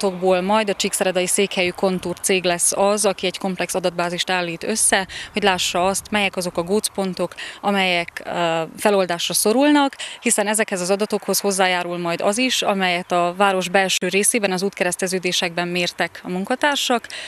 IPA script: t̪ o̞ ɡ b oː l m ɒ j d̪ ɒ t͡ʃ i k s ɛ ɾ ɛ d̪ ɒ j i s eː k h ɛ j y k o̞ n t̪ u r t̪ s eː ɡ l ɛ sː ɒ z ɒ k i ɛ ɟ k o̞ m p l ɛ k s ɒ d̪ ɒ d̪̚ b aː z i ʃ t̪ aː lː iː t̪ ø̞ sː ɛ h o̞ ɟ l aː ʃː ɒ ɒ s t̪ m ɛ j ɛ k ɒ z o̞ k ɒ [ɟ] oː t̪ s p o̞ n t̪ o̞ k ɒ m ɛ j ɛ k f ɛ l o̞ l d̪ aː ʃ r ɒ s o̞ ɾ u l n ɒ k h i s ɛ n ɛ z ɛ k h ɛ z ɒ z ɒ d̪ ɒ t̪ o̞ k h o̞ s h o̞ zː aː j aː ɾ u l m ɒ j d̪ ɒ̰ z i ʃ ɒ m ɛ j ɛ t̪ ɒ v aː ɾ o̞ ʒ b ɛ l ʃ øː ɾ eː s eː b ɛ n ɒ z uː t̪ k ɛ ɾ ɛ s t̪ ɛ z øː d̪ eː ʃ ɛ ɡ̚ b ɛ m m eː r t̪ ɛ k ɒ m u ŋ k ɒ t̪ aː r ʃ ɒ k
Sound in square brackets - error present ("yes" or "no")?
yes